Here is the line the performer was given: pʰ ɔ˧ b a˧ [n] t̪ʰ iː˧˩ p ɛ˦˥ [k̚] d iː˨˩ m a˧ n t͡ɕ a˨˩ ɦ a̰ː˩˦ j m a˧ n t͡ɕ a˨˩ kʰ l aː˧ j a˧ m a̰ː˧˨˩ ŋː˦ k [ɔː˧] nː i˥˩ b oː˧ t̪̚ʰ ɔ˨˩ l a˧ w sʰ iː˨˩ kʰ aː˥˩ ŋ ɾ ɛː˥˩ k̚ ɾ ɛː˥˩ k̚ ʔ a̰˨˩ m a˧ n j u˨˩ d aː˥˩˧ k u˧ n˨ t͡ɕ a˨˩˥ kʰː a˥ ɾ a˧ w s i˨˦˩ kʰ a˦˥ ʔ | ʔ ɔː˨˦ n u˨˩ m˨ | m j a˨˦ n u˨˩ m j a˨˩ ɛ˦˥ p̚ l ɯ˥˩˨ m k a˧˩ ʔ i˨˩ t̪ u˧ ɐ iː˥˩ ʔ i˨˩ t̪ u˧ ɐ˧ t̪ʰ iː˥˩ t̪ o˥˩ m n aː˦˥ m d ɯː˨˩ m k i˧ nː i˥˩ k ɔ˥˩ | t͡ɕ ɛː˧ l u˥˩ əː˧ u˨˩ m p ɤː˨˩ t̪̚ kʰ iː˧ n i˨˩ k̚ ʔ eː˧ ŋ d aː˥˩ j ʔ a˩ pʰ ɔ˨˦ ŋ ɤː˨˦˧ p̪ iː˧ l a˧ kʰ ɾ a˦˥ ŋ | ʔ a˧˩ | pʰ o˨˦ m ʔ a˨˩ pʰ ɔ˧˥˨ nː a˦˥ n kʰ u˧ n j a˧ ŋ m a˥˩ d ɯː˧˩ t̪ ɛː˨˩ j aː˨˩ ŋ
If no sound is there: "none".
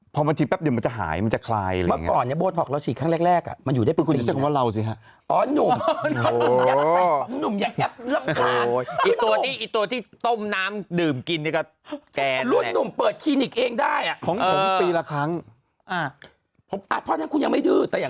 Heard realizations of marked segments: n, p̚, ɔː˨˩

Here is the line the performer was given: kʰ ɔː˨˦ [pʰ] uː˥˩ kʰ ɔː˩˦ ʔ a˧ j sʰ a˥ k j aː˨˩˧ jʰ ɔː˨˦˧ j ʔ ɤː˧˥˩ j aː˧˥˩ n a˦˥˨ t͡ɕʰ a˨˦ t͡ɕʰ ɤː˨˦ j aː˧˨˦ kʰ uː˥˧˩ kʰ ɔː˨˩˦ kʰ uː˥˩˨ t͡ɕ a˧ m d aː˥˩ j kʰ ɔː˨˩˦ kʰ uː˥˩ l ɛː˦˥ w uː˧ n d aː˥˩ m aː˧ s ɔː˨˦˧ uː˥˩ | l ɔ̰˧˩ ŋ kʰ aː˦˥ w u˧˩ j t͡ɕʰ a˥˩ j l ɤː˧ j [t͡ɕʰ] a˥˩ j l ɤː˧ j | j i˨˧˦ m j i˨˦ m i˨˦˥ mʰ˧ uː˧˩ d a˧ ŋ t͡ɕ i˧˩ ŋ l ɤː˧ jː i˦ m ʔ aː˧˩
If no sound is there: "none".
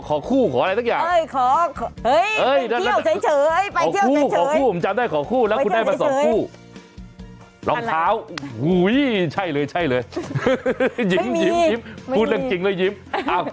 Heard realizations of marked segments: kʰ, t͡ɕʰ

